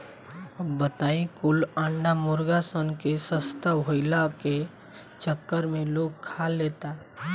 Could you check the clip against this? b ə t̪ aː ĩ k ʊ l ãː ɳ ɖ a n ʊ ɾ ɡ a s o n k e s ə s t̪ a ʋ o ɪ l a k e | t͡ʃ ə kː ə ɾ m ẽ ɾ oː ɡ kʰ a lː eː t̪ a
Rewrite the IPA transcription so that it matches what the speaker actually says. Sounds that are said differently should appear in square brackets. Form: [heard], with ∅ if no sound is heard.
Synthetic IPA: b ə t̪ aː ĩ k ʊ l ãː ɳ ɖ a [m] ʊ ɾ ɡ a s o n k e s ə s t̪ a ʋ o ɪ l a k e | t͡ʃ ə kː ə ɾ m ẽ [l] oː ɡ kʰ a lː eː t̪ a